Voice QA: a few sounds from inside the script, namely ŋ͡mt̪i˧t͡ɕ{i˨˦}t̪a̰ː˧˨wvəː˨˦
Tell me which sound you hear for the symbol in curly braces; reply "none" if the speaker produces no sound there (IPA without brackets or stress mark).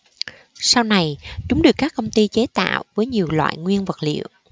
e˨˦